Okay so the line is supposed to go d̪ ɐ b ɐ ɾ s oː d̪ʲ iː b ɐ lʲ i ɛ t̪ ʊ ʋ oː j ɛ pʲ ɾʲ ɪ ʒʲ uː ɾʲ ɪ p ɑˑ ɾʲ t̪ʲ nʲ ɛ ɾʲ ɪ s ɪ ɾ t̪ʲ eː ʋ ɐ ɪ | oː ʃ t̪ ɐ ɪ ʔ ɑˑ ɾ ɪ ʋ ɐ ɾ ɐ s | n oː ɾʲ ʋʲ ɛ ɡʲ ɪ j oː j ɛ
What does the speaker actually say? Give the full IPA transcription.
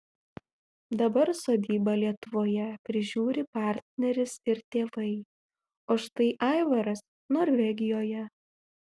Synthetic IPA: d̪ ɐ b ɐ ɾ s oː d̪ʲ iː b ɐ lʲ i ɛ t̪ ʊ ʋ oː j ɛ pʲ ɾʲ ɪ ʒʲ uː ɾʲ ɪ p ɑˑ ɾʲ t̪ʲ nʲ ɛ ɾʲ ɪ s ɪ ɾ t̪ʲ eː ʋ ɐ ɪ | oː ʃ t̪ ɐ ɪ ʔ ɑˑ ɪ ʋ ɐ ɾ ɐ s | n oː ɾʲ ʋʲ ɛ ɡʲ ɪ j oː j ɛ